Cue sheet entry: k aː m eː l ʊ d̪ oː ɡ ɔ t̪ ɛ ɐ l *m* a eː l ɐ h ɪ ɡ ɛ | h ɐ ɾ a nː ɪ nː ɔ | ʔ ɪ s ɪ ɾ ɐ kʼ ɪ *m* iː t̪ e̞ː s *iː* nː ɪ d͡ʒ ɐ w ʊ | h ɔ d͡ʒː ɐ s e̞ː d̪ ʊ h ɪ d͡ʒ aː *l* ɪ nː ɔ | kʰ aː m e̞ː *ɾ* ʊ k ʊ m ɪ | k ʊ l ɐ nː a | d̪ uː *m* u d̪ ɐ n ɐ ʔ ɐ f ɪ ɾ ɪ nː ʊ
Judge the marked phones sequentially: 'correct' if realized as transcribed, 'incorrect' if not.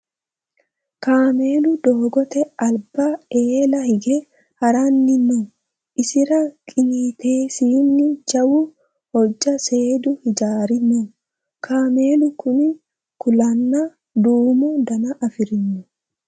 incorrect, incorrect, correct, incorrect, incorrect, correct

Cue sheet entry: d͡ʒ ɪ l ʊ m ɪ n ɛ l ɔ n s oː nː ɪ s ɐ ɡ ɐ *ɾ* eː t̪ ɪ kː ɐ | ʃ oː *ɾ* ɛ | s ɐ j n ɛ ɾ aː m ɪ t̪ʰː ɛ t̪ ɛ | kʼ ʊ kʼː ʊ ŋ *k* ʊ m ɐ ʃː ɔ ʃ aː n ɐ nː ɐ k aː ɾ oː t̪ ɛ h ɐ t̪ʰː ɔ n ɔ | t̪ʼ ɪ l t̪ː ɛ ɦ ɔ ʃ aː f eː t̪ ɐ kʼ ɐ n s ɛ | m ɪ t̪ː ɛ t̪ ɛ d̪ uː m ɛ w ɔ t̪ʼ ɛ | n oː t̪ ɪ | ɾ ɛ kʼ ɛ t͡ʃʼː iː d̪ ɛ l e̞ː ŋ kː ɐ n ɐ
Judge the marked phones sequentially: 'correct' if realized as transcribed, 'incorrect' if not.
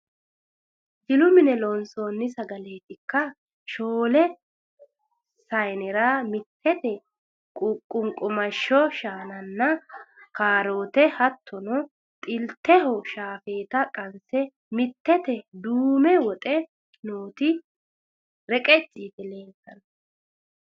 incorrect, incorrect, incorrect

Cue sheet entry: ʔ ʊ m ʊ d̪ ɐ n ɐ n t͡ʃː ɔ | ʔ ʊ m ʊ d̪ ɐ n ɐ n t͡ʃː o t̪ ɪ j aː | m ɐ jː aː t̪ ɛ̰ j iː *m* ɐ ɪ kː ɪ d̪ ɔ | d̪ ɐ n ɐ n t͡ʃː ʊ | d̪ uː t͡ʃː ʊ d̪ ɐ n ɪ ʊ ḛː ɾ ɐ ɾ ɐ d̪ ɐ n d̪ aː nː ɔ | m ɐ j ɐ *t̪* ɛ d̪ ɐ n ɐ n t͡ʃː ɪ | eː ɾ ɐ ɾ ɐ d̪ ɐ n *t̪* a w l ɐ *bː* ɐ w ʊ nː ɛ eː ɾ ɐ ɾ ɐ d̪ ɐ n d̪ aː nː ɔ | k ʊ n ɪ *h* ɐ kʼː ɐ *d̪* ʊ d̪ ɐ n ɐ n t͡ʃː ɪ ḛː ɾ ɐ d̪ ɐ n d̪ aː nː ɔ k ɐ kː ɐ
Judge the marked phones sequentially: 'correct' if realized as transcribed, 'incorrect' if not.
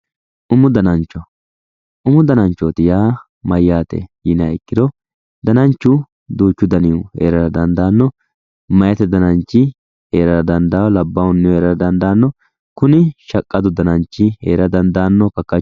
incorrect, correct, incorrect, correct, incorrect, correct

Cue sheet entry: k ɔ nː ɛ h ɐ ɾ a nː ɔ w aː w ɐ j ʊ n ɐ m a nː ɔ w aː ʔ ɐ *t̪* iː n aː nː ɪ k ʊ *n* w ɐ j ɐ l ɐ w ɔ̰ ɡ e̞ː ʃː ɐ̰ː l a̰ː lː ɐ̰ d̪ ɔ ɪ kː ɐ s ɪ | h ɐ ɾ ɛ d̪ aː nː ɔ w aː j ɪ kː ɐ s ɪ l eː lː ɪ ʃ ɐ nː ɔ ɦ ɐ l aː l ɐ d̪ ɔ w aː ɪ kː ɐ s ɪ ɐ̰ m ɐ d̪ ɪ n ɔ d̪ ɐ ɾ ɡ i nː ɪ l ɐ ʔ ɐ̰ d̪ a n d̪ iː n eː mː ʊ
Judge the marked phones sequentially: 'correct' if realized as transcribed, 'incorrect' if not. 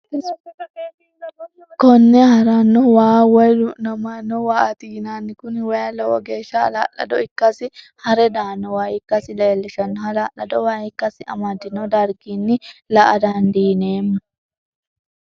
correct, correct

